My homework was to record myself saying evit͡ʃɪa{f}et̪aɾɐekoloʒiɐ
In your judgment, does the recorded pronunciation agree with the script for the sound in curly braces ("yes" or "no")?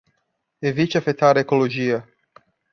yes